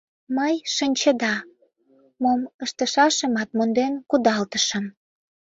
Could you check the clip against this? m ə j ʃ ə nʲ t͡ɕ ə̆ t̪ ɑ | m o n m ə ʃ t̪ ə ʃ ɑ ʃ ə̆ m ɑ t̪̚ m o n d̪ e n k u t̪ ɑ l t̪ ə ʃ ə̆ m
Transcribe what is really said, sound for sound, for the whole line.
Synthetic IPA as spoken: m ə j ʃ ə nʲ t͡ɕ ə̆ d̪ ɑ | m o m ə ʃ t̪ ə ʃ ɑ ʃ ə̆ m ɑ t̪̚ m o n d̪ e n k u d̪ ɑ l t̪ ə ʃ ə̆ m